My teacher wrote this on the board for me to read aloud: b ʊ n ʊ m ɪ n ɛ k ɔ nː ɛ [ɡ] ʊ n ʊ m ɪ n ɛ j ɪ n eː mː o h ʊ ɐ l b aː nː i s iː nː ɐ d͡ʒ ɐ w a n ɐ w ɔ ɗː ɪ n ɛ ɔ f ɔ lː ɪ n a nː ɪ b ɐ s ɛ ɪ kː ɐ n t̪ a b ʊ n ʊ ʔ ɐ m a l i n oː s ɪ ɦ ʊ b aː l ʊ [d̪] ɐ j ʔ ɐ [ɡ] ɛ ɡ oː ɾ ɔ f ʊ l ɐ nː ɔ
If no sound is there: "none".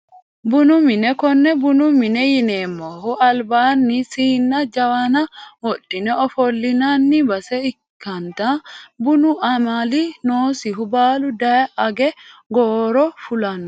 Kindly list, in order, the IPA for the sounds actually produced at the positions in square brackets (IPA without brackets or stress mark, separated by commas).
b, d̪, ɡ